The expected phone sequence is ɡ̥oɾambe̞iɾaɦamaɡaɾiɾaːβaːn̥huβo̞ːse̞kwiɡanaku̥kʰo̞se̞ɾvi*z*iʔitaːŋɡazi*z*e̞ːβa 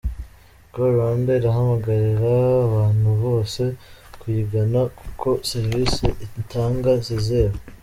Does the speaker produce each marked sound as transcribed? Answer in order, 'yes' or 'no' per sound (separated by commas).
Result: no, yes